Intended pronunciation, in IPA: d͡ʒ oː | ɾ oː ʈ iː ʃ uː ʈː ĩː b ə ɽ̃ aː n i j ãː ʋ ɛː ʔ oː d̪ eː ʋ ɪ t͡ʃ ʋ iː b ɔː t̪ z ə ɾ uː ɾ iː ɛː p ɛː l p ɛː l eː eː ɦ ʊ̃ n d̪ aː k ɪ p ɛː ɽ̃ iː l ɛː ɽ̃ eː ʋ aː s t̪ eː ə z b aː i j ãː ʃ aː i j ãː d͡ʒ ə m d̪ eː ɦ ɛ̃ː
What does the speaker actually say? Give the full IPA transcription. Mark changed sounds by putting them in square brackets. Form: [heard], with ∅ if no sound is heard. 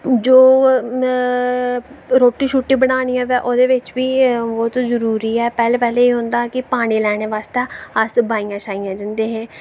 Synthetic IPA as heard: d͡ʒ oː | ɾ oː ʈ iː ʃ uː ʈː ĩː b ə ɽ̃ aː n i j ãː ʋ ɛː ʔ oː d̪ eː ʋ ɪ t͡ʃ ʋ iː b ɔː t̪ z ə ɾ uː ɾ iː ɛː p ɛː l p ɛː l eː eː ɦ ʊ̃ n d̪ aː k ɪ p [aː] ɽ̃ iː l ɛː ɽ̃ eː ʋ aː s t̪ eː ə [s] b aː i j ãː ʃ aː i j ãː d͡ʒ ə [n] d̪ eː ɦ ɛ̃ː